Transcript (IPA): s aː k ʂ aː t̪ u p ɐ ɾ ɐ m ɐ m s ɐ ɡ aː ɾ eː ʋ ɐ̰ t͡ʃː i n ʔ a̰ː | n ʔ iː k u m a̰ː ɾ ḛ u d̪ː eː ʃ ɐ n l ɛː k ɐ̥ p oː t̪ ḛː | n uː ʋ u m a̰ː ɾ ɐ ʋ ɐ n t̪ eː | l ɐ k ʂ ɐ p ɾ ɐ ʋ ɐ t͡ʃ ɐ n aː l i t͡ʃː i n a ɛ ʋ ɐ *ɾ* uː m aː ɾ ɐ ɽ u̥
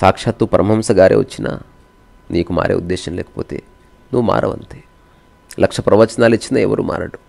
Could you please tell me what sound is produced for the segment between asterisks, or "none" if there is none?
ɾ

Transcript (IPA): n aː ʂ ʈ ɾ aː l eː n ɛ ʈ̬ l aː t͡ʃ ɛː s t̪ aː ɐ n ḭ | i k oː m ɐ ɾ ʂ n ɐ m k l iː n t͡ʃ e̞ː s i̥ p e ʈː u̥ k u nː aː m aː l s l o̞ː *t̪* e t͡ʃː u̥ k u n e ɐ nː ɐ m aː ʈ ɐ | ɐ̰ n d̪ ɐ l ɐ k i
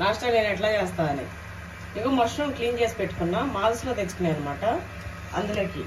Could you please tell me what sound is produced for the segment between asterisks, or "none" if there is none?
t̪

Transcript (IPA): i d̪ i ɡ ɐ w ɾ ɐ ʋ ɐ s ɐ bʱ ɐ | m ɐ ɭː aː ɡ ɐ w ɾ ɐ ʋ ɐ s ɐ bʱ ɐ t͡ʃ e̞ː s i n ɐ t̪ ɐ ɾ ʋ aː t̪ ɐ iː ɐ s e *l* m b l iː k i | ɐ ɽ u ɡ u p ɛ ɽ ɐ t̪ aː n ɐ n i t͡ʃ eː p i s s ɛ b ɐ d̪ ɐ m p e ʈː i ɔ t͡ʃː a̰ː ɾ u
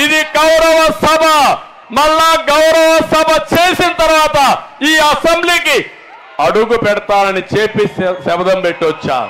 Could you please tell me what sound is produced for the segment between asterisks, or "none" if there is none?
none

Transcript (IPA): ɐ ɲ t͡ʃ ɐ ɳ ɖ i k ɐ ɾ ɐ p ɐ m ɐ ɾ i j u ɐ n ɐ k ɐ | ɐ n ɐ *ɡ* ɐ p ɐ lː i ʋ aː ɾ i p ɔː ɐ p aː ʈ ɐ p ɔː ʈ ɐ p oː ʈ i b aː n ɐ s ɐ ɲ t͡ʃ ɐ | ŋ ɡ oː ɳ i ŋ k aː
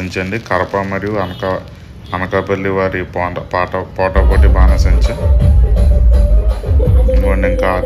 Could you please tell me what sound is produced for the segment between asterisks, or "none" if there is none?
k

